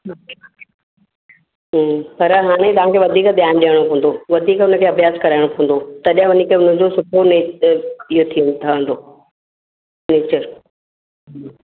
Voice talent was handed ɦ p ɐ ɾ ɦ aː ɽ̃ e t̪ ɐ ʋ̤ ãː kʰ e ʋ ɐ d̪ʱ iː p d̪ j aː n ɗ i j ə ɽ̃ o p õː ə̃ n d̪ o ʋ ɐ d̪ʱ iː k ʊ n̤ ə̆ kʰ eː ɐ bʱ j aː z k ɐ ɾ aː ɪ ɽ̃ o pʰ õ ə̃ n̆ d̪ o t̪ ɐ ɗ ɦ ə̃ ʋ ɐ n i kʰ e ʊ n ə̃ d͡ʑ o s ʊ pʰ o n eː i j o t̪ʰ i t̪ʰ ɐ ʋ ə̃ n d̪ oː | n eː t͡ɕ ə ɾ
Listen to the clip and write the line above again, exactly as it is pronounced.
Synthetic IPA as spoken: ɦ p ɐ ɾ ɦ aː ɽ̃ e t̪ ɐ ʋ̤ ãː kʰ e ʋ ɐ d̪ʱ iː k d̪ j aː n ɗ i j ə ɽ̃ o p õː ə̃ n d̪ o ʋ ɐ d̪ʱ iː k ʊ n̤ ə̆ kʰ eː ɐ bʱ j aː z k ɐ ɾ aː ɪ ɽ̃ o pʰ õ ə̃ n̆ d̪ o t̪ ɐ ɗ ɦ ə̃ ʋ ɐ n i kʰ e ʊ n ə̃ d͡ʑ o s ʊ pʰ o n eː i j o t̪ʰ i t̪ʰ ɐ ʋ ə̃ n d̪ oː | n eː t͡ɕ ə ɾ